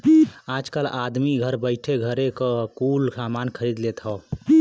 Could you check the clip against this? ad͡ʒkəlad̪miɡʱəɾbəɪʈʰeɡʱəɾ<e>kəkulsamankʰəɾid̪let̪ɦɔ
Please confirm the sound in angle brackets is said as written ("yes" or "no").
yes